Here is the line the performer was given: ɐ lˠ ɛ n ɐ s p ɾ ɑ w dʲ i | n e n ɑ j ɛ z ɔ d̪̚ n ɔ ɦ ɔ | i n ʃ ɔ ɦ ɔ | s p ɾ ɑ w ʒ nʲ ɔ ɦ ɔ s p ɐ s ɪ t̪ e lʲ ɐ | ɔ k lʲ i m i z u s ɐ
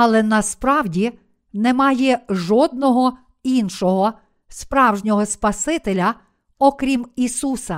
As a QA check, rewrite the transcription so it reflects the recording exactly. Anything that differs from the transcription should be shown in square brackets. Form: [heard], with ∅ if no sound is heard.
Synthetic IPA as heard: ɐ lˠ ɛ n ɐ s p ɾ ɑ w dʲ i | n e [m] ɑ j ɛ [ʒ] ɔ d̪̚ n ɔ ɦ ɔ | i n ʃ ɔ ɦ ɔ | s p ɾ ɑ w ʒ nʲ ɔ ɦ ɔ s p ɐ s ɪ t̪ e lʲ ɐ | ɔ k [ɾʲ] i m i [s] u s ɐ